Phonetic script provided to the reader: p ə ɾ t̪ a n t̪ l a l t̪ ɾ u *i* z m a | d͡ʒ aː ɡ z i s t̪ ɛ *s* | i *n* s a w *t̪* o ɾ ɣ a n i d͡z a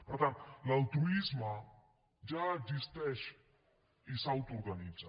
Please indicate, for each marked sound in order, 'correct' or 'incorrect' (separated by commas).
correct, incorrect, incorrect, correct